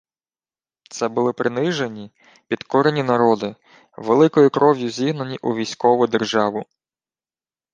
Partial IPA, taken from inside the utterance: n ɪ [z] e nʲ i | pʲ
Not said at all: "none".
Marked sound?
ʒ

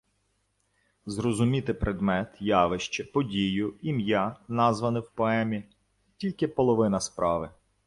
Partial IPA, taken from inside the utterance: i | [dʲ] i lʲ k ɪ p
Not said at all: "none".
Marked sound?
tʲ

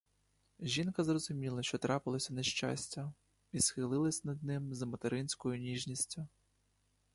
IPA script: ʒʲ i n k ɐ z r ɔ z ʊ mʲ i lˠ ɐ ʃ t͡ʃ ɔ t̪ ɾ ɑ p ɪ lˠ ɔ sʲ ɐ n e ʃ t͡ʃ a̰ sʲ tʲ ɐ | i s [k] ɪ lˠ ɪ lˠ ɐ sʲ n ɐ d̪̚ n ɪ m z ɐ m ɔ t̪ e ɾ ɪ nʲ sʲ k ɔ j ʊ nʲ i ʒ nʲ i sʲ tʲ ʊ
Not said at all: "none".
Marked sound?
x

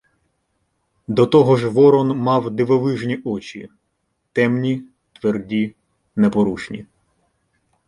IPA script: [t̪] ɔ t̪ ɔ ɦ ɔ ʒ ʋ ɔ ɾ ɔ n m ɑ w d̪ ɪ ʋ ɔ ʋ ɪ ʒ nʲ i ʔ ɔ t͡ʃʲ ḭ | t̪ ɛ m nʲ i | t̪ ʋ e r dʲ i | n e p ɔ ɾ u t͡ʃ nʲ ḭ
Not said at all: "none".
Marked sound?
d̪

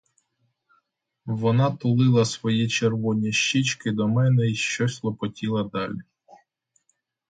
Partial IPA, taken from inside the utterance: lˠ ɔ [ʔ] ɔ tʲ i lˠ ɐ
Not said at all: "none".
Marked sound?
p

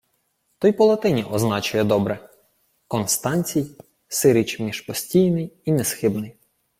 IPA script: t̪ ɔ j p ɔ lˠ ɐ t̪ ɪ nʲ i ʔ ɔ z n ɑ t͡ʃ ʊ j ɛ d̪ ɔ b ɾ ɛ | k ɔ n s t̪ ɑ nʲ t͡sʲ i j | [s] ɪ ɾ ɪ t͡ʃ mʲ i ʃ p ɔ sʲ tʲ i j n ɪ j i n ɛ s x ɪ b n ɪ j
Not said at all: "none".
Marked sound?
s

